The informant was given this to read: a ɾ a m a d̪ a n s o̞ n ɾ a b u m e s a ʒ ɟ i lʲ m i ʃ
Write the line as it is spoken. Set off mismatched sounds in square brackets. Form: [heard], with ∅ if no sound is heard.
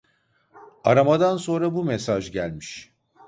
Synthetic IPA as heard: a ɾ a m a d̪ a n s o̞ n ɾ a b u m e s a ʒ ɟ [æ] lʲ m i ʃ